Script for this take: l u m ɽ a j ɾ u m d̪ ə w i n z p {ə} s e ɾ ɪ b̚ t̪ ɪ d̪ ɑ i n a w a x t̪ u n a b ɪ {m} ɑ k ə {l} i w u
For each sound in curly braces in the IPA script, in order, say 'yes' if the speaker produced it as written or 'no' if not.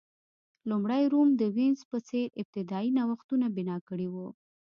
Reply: yes, no, no

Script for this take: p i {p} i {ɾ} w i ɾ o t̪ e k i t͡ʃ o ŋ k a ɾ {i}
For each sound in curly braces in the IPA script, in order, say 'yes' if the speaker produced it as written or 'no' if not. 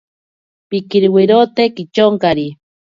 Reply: no, yes, yes

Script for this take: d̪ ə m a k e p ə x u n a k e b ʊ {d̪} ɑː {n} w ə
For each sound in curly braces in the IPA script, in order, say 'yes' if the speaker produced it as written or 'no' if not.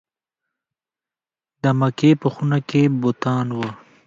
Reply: no, yes

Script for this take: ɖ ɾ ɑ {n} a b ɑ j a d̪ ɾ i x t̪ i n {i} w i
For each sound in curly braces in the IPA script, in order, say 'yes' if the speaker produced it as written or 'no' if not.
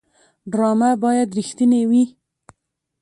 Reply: no, no

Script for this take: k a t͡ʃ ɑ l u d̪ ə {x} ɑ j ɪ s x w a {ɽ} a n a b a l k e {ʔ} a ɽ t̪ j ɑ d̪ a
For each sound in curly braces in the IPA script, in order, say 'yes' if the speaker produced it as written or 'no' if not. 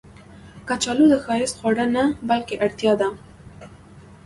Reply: yes, yes, yes

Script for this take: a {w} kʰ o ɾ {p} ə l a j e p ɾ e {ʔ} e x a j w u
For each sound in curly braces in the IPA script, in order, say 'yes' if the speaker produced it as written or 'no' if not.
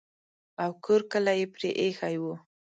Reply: yes, no, yes

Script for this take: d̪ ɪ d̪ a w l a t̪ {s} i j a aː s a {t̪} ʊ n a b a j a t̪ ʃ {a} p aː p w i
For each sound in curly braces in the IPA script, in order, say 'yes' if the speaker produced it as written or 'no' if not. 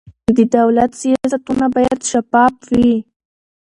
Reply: yes, yes, yes

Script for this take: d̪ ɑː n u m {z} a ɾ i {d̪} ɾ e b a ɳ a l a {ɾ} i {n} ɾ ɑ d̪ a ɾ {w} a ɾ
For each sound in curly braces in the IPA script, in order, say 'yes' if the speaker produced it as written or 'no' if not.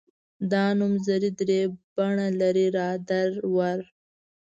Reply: yes, yes, yes, no, yes

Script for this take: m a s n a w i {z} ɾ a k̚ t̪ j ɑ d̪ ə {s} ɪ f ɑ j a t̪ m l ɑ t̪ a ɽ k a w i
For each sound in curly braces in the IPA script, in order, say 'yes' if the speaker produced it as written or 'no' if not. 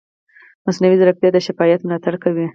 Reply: yes, no

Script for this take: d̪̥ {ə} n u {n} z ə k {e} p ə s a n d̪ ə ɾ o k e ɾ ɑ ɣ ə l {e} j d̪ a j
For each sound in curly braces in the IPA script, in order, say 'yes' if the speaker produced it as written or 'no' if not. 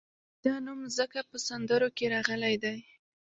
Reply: no, no, no, no

